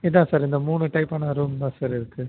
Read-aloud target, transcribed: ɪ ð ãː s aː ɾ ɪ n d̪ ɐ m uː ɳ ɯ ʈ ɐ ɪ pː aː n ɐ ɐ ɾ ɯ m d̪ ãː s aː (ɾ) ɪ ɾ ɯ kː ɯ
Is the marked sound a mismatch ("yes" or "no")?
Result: no